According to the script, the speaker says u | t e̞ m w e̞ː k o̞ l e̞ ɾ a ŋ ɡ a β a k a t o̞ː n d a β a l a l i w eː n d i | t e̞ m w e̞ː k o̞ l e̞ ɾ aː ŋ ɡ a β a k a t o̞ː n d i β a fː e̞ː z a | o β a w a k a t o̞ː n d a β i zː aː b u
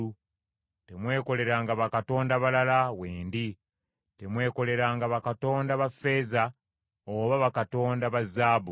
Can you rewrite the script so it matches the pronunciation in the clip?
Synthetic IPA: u | t e̞ m w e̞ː k o̞ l e̞ ɾ a ŋ ɡ a β a k a t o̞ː n d a β a l a l a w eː n d i | t e̞ m w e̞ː k o̞ l e̞ ɾ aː ŋ ɡ a β a k a t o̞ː n d a β a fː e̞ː z a | o β a β a k a t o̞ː n d a β a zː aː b u